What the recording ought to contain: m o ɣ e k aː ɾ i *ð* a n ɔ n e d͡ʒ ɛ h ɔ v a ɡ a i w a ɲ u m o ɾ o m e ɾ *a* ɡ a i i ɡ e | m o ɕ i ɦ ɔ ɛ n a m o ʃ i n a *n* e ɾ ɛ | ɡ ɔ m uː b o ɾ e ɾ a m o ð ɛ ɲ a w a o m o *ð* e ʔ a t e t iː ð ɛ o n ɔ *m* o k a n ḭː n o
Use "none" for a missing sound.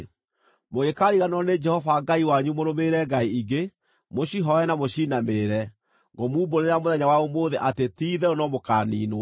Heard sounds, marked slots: ɣ, ɛ, m, ð, m

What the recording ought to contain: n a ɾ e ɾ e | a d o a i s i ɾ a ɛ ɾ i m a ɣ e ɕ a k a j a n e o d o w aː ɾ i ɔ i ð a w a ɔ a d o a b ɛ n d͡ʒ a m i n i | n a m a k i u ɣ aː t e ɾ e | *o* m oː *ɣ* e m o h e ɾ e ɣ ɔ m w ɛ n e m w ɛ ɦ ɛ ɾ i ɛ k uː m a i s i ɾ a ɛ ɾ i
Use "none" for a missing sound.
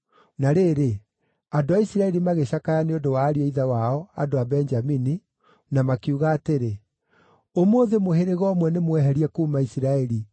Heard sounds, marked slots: o, ð

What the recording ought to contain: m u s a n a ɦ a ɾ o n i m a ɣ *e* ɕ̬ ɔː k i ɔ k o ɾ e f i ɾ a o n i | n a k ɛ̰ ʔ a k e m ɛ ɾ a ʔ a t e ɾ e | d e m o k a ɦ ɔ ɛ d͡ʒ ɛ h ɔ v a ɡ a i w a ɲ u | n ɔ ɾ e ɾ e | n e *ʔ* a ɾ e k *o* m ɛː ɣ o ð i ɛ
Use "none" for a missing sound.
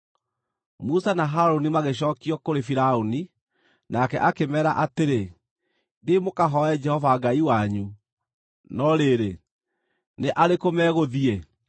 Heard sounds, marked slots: e, ʔ, o

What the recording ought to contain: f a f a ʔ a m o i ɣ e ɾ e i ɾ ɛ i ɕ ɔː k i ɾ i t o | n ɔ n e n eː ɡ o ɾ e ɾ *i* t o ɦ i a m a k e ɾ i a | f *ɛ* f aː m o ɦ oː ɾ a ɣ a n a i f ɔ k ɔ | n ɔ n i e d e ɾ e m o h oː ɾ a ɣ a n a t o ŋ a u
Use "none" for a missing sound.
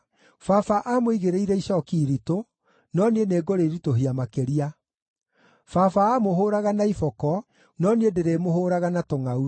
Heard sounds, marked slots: i, a

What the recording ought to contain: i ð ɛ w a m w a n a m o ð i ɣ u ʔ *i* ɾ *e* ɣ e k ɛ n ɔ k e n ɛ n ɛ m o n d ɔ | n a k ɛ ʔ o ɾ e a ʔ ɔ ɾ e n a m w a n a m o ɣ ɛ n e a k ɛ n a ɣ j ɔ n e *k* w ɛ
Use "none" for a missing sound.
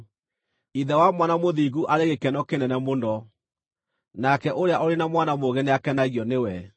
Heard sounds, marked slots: a, e, none

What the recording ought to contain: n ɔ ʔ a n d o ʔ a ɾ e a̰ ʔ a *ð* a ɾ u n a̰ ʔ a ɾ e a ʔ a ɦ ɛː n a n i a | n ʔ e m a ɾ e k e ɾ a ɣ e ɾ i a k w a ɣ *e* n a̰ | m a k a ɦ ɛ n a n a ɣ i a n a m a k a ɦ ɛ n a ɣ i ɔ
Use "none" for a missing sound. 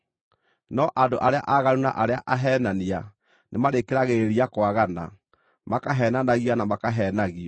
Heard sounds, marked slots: ɣ, a

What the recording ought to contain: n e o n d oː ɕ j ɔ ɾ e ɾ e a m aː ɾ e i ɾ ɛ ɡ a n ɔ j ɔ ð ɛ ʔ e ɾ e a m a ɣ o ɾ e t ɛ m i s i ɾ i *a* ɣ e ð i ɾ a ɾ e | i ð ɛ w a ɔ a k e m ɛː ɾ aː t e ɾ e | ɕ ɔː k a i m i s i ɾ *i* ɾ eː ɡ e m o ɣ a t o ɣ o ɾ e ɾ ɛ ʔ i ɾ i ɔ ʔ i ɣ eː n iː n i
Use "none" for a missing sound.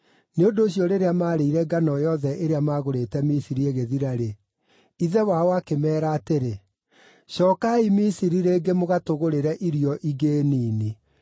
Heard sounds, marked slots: e, i

